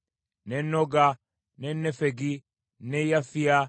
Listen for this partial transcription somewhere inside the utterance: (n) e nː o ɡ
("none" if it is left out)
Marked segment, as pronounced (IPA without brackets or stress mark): n